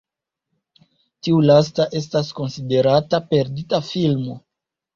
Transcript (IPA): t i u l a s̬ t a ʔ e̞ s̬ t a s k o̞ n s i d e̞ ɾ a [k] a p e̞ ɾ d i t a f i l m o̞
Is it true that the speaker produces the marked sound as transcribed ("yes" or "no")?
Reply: no